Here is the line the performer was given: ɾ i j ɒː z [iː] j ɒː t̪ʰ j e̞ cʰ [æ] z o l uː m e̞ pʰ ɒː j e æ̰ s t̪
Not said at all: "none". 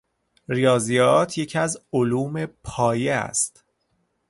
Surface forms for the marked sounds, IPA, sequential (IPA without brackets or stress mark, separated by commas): i, æ